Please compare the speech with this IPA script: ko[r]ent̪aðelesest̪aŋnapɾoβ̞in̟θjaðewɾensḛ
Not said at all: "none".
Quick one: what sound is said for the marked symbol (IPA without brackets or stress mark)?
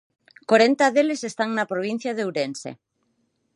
ɾ